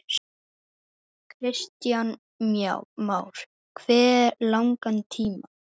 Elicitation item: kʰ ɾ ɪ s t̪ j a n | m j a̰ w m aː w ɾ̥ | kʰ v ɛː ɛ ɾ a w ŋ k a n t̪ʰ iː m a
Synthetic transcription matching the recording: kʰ ɾ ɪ s t̪ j a n | m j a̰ w m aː w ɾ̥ | kʰ v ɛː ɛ l a w ŋ k a n t̪ʰ iː m a